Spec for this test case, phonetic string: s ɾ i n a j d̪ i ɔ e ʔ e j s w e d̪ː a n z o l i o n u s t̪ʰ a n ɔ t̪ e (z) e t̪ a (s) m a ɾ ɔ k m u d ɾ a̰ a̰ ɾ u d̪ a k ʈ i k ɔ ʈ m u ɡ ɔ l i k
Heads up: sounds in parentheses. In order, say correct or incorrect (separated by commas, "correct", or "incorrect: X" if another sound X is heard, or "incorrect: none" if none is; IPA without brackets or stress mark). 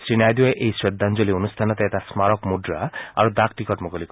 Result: incorrect: none, correct